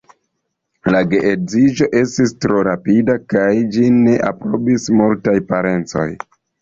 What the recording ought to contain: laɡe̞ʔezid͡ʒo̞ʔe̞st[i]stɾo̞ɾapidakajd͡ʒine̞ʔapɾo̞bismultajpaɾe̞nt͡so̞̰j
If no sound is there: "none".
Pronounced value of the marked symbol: i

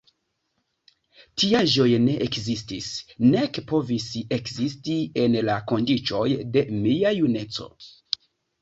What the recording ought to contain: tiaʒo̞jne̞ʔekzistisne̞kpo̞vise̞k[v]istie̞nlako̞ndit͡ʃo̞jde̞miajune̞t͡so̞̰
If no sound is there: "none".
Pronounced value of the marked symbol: z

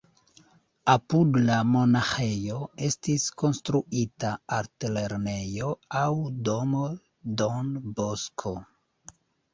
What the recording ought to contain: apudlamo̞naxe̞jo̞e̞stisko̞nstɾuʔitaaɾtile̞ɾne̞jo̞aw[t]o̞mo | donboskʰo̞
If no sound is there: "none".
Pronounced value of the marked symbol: d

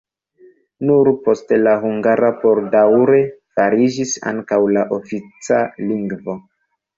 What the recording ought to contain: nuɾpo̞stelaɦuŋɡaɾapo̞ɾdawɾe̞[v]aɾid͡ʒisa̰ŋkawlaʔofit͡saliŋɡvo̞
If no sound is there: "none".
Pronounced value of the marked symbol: f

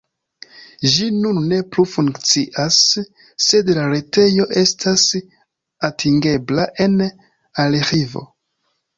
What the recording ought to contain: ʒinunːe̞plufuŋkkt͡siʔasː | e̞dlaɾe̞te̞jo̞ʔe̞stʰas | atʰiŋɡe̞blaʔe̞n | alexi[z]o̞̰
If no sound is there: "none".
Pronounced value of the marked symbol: v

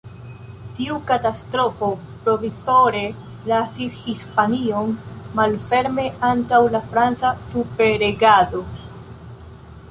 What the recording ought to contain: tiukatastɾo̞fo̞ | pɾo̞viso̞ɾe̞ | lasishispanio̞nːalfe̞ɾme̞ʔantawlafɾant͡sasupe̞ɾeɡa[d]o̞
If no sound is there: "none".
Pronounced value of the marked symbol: d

